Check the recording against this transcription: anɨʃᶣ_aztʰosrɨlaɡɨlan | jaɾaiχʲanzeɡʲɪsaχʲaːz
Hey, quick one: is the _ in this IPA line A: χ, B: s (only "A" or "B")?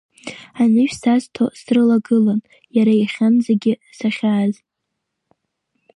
B